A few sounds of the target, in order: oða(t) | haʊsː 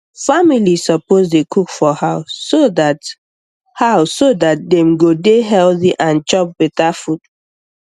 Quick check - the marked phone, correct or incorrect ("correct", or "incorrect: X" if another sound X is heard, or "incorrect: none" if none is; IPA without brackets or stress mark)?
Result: correct